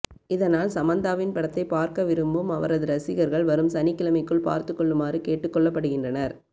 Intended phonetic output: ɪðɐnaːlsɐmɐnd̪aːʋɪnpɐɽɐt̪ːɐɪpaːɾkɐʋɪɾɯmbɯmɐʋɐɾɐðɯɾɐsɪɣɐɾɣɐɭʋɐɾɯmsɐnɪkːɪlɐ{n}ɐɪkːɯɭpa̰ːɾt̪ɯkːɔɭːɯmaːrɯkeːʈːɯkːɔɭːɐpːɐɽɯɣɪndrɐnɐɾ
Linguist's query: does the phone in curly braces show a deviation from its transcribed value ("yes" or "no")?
yes